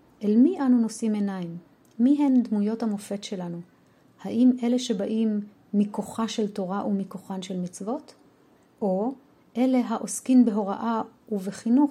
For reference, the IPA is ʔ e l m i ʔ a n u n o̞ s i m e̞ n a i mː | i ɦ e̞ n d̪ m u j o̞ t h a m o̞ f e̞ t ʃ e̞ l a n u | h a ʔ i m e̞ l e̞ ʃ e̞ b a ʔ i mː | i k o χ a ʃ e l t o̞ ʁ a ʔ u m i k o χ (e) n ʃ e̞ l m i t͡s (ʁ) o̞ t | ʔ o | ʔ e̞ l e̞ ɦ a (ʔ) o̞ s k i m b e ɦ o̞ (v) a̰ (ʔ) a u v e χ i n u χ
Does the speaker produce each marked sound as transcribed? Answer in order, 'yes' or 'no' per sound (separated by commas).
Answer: no, no, yes, no, yes